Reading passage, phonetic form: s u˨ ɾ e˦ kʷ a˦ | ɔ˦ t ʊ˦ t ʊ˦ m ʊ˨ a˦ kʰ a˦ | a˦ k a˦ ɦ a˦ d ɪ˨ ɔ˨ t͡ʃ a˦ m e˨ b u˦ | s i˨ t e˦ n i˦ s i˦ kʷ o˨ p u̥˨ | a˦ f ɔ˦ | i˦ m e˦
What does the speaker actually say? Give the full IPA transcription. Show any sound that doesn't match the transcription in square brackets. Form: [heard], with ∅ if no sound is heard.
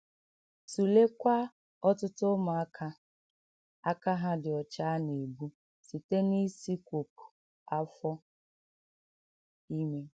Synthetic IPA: s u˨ [l] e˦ kʷ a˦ | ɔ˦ t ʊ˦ t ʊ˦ m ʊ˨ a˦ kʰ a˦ | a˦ k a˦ ɦ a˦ d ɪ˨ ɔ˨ t͡ʃ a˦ [n] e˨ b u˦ | s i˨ t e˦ n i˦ s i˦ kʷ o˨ p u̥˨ | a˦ f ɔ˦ | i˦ m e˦